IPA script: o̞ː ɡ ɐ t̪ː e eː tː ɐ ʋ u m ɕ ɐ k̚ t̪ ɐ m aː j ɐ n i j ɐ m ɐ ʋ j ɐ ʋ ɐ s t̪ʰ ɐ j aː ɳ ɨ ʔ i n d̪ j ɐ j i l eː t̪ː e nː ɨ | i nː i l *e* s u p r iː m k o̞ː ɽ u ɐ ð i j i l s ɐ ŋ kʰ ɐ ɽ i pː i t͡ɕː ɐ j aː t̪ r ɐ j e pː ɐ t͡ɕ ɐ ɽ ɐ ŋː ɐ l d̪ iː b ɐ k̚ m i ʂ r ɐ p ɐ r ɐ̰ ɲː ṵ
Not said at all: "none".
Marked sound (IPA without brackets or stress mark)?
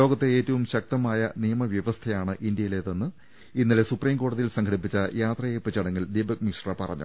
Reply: e